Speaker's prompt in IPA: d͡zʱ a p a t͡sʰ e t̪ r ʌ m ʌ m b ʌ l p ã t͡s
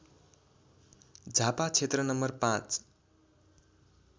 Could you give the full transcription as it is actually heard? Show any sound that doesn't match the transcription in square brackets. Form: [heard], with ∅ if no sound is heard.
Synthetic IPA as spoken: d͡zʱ a p a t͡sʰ e t̪ r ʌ [n] ʌ m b ʌ [r] p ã t͡s